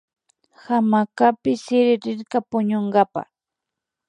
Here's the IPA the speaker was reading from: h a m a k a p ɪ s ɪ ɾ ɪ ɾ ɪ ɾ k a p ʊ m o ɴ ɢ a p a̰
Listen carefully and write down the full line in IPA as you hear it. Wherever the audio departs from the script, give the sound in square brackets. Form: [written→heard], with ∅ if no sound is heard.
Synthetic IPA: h a m a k a p ɪ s ɪ ɾ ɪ ɾ ɪ ɾ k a p ʊ [m→ɲ] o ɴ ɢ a p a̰